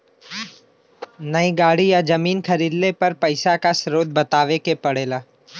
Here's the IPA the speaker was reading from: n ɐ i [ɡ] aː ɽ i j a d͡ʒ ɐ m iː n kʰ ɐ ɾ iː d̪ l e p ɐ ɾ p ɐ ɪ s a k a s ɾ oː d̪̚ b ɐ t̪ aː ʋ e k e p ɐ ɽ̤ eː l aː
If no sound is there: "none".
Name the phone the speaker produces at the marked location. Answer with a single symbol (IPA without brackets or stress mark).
ɡ